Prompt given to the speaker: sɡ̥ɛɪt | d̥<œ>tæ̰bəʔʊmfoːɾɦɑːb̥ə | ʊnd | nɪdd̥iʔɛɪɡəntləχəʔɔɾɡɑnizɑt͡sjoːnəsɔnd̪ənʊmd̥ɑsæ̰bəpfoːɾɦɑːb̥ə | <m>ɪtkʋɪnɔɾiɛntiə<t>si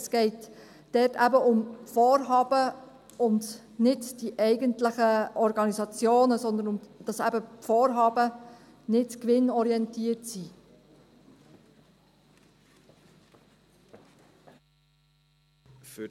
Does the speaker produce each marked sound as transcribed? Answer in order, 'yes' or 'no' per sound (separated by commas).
no, no, yes